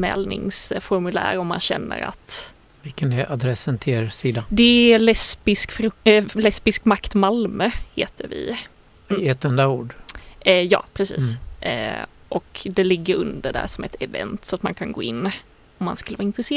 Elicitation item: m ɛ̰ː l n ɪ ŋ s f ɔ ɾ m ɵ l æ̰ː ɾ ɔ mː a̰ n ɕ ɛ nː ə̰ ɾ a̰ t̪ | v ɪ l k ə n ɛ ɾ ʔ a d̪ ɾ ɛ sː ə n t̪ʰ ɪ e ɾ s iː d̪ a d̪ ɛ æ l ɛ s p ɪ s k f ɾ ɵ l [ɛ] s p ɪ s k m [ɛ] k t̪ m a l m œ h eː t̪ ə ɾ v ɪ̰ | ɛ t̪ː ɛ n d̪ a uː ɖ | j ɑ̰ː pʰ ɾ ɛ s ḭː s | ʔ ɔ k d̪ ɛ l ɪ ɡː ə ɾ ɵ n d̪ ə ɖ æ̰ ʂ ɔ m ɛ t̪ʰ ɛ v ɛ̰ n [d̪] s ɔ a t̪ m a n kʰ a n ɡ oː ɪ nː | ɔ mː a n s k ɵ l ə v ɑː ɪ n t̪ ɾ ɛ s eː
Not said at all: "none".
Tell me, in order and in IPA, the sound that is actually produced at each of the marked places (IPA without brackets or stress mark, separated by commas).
ɛ, a, t̪